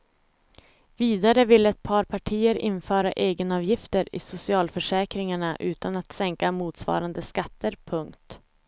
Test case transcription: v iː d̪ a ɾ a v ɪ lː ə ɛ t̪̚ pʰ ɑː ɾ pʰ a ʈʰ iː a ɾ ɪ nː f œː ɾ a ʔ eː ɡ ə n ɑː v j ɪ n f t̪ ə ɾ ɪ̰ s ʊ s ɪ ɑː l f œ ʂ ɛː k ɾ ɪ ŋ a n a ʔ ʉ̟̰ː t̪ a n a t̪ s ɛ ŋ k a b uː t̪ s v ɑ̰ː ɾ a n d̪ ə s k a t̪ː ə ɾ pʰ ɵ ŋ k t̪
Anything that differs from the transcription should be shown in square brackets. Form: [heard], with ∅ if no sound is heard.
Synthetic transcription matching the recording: v iː d̪ a ɾ [ə] v ɪ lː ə ɛ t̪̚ pʰ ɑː ɾ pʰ a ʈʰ iː [ə] ɾ ɪ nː f œː ɾ a ʔ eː ɡ ə n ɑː v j ɪ [∅] f t̪ ə ɾ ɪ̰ s ʊ s ɪ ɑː l f œ ʂ ɛː k ɾ ɪ ŋ a [ɳ] a ʔ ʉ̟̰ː t̪ a n a t̪ s ɛ ŋ k a [m] uː t̪ s v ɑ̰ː ɾ a n d̪ ə s k a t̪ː ə ɾ pʰ ɵ ŋ k t̪